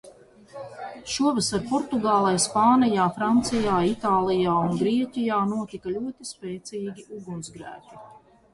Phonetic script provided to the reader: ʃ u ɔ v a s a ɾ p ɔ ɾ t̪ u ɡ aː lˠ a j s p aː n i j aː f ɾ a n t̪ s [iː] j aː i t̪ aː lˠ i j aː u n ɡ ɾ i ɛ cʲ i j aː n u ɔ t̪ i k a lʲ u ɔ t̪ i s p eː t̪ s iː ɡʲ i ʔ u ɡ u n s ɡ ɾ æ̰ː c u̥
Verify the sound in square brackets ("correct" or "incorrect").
incorrect